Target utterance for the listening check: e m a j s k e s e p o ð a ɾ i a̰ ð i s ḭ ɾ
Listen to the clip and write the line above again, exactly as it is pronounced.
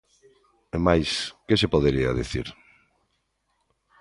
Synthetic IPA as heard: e m a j s k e s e p o ð e ɾ i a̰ ð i θ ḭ ɾ